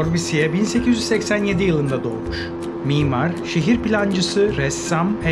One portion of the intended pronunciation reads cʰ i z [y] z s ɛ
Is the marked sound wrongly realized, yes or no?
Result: no